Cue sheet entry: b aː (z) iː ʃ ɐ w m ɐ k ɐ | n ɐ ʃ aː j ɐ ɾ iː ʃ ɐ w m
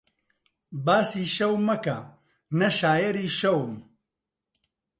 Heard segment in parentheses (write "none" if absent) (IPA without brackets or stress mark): s